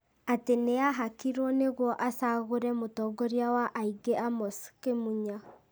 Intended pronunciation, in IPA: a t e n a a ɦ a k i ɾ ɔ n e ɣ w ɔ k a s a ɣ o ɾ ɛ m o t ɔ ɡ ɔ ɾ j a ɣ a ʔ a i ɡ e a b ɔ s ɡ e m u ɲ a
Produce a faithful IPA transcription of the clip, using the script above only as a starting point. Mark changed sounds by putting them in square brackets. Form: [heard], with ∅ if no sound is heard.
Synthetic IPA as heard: a t e n [e] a ɦ a k i ɾ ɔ n e ɣ w ɔ [ʔ] a s a ɣ o ɾ ɛ m o t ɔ ɡ ɔ ɾ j a [w] a ʔ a i ɡ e a [m] ɔ s [k] e m u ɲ a